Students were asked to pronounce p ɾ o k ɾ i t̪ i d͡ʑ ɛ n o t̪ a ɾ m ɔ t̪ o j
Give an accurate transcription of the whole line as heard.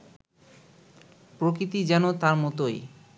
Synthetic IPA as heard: p ɾ o k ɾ i t̪ i d͡ʑ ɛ n o t̪ a ɾ m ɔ t̪ o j